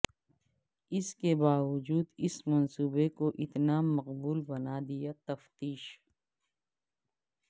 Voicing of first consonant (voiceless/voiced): voiceless